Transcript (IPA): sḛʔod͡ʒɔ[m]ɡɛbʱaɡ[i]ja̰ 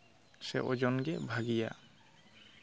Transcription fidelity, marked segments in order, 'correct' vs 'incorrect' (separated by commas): incorrect, correct